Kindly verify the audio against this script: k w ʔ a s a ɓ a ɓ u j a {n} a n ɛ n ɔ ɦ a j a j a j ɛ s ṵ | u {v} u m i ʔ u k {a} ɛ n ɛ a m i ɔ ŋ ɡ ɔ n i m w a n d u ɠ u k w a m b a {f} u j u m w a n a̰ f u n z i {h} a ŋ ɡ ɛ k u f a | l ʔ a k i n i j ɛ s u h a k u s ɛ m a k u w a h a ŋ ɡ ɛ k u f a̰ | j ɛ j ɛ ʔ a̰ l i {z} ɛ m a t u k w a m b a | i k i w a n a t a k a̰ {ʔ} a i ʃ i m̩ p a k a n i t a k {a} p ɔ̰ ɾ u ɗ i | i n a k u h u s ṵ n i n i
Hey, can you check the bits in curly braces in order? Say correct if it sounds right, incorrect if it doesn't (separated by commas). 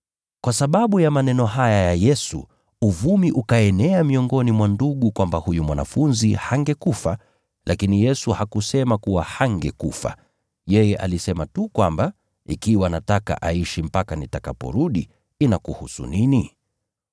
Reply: incorrect, correct, correct, incorrect, correct, incorrect, correct, correct